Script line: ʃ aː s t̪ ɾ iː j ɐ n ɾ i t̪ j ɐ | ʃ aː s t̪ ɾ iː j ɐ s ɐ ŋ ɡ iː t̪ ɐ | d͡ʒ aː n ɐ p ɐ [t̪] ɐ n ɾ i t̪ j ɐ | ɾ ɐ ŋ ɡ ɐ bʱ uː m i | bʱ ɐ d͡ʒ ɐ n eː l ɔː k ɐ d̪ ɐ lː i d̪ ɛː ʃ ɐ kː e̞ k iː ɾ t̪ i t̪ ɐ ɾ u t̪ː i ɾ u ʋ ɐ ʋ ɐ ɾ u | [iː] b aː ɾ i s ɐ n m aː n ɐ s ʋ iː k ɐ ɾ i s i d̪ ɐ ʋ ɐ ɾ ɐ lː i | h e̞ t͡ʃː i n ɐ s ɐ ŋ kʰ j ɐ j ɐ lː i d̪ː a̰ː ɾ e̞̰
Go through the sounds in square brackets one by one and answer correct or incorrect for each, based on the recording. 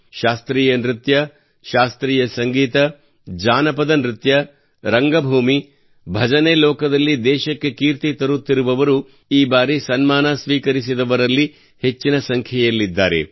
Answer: incorrect: d̪, correct

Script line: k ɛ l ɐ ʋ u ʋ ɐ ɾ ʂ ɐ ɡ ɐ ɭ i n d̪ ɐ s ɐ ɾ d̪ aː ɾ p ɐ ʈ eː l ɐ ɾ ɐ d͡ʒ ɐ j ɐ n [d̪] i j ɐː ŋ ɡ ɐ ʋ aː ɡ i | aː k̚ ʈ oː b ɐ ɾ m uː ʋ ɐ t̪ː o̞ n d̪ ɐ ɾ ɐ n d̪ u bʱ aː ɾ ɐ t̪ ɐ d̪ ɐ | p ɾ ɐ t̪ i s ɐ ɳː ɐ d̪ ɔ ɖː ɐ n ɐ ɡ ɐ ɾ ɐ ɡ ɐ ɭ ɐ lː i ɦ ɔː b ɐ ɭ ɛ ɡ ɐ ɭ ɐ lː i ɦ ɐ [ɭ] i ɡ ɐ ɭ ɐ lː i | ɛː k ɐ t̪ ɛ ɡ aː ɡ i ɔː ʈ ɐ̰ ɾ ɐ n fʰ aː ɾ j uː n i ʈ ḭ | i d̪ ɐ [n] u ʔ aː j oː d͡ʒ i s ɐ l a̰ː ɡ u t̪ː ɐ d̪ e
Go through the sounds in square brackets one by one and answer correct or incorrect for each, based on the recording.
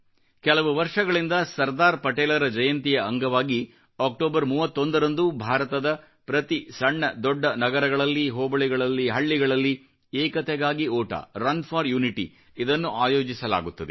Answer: incorrect: t̪, incorrect: ɭː, incorrect: nː

